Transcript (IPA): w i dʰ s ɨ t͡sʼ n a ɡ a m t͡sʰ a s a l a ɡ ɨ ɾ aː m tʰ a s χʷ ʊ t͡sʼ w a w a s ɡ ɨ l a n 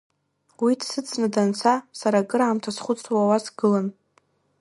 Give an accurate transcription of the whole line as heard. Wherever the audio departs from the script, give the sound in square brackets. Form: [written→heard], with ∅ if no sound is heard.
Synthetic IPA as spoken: w i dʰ s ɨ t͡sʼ n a [ɡ→d] a [m→n] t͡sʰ a s a [l→ɾ] a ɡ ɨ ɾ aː m tʰ a s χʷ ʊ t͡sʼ w a w a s ɡ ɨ l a n